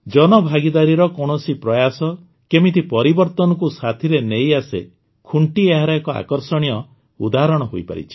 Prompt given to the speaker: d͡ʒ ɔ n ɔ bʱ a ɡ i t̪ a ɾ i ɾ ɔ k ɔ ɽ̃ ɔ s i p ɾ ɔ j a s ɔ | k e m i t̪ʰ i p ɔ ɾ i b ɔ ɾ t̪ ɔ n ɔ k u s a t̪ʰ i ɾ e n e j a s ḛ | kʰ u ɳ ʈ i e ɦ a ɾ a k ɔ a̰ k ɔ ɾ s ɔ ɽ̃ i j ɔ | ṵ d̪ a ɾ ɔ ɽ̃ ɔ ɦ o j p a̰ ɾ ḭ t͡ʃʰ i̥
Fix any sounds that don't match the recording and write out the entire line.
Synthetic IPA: d͡ʒ ɔ n ɔ bʱ a ɡ i d̪ a ɾ i ɾ ɔ k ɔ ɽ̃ ɔ s i p ɾ ɔ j a s ɔ | k e m i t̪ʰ i p ɔ ɾ i b ɔ ɾ t̪ ɔ n ɔ k u s a t̪ʰ i ɾ e n e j a s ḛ | kʰ u ɳ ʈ i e ɦ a ɾ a k ɔ a̰ k ɔ ɾ s ɔ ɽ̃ i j ɔ | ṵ d̪ a ɾ ɔ ɽ̃ ɔ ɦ o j p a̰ ɾ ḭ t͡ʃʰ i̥